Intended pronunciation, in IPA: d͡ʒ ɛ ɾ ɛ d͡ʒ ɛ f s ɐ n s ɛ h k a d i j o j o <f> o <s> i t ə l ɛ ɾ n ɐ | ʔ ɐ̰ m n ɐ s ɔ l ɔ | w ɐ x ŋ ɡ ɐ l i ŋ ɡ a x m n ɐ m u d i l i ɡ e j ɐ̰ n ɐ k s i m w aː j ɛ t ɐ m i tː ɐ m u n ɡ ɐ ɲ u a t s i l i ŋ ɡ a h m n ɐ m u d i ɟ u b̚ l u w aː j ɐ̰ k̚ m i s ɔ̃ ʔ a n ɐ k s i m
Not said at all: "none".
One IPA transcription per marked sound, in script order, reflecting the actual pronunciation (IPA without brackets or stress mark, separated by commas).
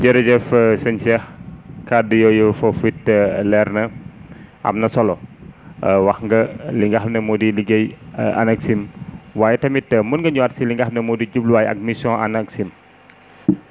f, f